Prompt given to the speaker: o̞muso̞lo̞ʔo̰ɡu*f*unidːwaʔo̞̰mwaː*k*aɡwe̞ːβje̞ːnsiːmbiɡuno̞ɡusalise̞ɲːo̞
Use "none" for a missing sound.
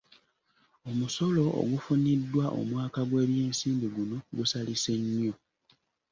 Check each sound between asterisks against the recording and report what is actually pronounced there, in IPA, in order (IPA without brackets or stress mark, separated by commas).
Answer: f, k